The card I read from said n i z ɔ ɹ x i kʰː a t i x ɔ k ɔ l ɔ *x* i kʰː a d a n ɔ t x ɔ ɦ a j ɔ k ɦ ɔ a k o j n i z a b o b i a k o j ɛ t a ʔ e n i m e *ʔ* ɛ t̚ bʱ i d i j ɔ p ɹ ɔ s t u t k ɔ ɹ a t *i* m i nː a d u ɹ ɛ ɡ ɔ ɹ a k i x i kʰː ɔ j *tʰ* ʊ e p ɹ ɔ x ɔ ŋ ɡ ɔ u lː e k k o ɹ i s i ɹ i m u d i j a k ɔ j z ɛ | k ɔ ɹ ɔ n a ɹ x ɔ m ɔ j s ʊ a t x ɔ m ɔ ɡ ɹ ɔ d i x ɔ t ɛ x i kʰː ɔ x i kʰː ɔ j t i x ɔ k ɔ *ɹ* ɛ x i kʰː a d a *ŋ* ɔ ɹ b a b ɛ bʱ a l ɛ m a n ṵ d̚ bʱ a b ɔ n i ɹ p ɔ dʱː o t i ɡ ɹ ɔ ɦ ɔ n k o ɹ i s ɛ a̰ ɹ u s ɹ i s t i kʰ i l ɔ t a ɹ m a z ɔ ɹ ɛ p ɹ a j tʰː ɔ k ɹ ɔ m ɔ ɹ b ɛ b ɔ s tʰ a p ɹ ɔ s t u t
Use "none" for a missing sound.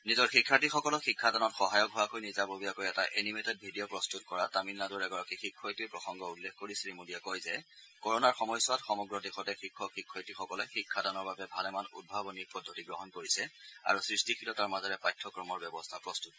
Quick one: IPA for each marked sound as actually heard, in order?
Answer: x, t, a, t, l, n

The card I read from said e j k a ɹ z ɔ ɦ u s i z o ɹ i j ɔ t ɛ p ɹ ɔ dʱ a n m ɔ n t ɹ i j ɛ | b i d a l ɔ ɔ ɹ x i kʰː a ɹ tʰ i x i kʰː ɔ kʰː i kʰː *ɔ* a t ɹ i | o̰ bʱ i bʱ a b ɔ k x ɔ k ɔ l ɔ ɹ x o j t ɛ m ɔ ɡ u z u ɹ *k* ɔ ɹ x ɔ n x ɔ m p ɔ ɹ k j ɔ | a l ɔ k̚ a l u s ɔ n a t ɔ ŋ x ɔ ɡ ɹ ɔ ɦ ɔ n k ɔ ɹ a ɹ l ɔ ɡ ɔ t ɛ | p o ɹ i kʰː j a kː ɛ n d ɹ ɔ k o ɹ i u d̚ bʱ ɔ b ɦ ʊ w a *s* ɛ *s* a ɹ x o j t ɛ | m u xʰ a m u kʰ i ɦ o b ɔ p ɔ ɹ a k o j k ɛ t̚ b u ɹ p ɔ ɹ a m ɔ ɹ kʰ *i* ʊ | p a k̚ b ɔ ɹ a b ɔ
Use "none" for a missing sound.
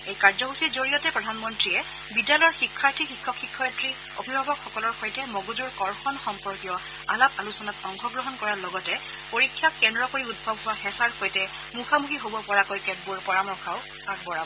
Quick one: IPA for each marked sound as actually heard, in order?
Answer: ɔ, k, x, s, a

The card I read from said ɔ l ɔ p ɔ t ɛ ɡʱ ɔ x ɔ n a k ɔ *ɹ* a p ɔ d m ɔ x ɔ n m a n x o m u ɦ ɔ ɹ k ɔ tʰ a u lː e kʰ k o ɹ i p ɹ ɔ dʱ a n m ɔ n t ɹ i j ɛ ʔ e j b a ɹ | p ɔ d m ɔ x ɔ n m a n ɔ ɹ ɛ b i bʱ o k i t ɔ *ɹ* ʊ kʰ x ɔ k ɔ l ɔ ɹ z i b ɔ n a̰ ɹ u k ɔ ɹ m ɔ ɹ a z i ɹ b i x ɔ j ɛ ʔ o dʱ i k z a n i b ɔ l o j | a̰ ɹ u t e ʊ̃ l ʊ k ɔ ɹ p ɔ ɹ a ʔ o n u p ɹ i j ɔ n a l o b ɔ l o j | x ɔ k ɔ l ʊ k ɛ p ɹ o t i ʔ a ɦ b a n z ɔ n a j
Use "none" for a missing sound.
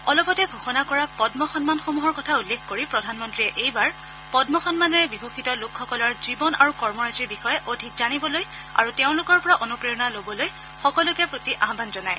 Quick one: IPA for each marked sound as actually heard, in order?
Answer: ɹ, l

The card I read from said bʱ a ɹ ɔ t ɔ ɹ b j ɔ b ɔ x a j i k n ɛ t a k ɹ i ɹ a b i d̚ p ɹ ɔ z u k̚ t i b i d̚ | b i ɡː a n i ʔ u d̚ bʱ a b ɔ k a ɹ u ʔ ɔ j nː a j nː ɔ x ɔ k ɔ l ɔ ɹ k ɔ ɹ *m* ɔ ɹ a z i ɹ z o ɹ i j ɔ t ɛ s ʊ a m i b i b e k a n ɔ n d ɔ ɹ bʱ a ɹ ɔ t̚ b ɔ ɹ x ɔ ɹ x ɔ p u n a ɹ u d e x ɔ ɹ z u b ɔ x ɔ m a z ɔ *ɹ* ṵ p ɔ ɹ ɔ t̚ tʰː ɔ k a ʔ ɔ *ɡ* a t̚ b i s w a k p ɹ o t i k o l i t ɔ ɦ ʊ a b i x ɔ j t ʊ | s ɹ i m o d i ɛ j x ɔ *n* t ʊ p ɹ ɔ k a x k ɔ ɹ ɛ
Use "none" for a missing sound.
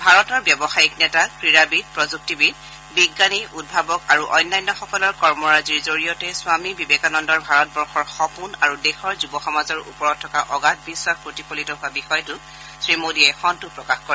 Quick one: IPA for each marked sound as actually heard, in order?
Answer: m, ɹ, ɡ, n

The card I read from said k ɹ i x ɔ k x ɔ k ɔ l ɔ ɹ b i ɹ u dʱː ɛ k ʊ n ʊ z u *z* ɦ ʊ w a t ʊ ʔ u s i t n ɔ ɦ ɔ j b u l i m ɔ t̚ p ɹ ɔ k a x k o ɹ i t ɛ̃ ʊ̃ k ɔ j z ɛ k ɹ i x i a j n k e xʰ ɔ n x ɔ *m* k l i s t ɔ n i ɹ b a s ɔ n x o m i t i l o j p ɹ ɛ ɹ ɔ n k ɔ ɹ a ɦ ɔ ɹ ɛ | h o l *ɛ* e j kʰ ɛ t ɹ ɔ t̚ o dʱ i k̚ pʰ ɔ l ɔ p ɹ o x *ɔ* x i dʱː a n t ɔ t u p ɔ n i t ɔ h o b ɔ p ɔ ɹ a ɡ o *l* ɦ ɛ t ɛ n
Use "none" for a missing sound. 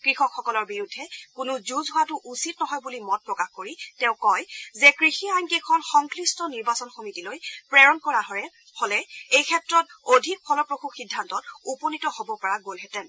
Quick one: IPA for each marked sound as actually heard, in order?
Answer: z, ŋ, ɛ, u, l

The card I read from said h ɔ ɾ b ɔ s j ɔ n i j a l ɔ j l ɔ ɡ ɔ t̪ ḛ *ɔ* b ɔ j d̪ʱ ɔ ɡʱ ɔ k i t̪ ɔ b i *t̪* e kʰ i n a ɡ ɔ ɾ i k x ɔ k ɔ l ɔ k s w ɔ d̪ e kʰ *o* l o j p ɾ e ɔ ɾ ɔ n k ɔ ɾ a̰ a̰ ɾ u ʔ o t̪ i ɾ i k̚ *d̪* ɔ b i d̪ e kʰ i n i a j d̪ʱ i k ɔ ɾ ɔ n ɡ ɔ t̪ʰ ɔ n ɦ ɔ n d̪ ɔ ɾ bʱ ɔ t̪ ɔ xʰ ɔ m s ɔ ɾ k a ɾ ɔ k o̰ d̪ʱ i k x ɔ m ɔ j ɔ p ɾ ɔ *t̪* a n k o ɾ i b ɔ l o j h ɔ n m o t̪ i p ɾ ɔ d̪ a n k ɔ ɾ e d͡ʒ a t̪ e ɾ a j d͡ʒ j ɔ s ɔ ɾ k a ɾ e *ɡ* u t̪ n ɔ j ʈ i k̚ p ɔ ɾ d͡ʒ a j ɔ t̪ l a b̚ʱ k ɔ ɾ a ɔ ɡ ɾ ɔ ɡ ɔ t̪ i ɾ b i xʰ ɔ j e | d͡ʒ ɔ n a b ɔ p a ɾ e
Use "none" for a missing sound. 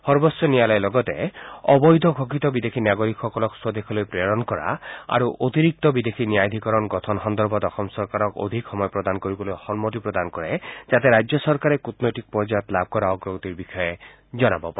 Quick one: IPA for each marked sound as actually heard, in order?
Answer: ɔ, d̪, ɔ, t̪, d̪, k

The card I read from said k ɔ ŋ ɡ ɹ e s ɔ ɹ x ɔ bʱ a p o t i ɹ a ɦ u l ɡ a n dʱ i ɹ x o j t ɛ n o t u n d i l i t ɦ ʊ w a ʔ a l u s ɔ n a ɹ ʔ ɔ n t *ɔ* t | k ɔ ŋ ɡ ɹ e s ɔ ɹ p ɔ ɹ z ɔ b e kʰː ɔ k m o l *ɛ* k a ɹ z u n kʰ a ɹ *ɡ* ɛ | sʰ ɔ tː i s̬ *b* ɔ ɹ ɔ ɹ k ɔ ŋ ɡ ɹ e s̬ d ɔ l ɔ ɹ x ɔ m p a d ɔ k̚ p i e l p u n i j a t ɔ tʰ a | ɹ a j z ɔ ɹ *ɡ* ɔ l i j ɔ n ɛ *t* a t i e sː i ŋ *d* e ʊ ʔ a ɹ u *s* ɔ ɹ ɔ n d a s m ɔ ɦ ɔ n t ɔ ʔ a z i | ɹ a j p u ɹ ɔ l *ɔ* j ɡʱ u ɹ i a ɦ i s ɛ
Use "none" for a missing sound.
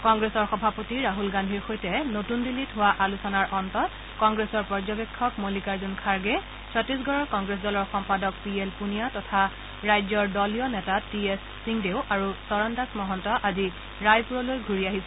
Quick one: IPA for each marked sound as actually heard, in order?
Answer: ɔ, i, ɡ, ɡ, d, t, d, s, o

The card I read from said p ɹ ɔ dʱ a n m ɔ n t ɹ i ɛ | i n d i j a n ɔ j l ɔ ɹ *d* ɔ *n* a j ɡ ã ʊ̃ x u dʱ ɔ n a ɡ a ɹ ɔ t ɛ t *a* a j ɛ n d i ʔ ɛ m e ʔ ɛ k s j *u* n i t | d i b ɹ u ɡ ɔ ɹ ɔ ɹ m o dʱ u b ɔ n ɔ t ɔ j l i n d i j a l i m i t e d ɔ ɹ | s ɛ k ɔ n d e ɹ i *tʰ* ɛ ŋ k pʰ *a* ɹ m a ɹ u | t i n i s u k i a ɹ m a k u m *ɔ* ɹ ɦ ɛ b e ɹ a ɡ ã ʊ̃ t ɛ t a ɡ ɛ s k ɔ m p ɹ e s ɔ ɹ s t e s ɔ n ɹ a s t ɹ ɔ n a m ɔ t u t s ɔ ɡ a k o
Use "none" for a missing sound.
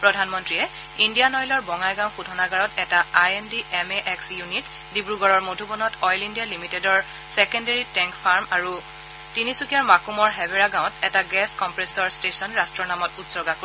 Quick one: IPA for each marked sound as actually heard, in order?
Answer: b, ŋ, a, u, t, a, ɔ

